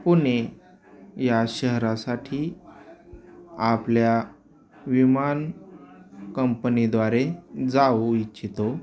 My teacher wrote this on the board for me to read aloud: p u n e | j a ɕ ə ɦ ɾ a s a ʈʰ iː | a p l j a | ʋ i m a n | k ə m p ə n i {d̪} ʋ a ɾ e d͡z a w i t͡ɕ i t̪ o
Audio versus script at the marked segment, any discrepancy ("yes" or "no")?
no